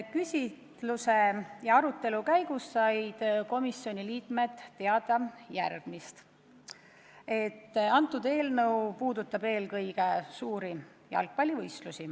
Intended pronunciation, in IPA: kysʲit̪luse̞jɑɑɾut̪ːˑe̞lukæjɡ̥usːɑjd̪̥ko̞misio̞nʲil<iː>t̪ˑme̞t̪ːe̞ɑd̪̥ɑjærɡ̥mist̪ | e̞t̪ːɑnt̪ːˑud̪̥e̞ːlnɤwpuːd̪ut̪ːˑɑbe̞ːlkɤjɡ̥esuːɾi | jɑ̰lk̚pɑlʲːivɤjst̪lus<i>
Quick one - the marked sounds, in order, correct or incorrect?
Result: correct, correct

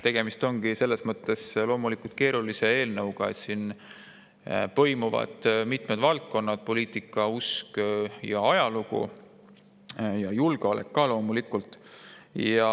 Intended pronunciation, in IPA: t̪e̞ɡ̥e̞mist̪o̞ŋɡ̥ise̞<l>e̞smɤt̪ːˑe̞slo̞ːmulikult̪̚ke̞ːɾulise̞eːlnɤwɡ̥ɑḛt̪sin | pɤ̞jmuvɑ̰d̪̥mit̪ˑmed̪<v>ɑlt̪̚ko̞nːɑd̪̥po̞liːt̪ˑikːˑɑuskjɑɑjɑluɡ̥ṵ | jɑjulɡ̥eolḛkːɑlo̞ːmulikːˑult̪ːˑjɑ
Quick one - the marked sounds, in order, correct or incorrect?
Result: incorrect, correct

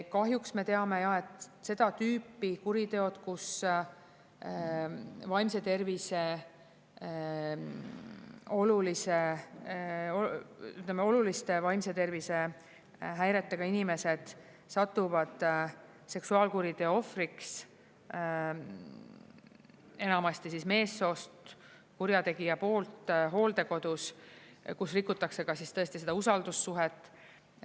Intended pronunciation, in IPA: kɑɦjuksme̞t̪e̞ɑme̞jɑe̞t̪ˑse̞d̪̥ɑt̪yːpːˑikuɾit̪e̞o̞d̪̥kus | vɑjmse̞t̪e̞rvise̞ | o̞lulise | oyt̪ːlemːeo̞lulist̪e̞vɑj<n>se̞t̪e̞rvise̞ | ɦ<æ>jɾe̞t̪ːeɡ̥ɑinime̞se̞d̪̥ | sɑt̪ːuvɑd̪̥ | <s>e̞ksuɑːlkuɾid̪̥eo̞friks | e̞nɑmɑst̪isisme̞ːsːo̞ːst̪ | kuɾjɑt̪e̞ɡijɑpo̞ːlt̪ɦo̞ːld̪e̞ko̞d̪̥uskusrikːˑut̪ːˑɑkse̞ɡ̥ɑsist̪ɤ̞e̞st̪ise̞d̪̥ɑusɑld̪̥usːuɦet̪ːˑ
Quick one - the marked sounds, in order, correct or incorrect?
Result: incorrect, correct, correct

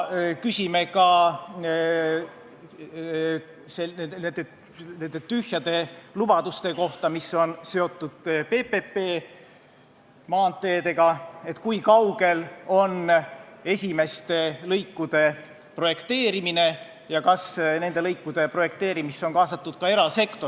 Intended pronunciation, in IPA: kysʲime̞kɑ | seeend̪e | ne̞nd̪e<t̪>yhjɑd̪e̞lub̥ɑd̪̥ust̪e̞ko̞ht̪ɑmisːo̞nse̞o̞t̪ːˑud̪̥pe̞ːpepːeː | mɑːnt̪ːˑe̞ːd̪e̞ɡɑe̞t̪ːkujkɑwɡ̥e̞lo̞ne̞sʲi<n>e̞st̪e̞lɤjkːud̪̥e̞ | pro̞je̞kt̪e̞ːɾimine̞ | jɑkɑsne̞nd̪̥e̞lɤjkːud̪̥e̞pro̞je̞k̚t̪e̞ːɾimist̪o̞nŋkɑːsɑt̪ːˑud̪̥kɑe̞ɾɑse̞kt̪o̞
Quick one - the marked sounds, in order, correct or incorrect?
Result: correct, incorrect

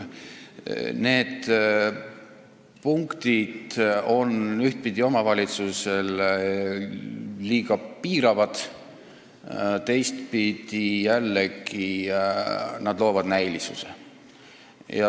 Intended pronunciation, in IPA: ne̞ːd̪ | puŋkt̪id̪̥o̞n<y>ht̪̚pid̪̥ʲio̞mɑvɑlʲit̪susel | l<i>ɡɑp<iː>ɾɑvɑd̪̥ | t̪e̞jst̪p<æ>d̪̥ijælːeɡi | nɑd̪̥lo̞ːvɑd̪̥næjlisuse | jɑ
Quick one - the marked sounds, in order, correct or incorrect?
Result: correct, incorrect, correct, incorrect

